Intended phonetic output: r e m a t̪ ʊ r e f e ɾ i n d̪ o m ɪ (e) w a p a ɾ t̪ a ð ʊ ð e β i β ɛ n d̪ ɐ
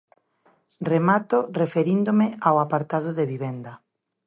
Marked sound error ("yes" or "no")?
yes